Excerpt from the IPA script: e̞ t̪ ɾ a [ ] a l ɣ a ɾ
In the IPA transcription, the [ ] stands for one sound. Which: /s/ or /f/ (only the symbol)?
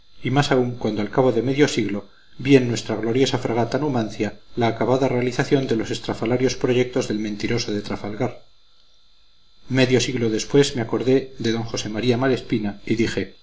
f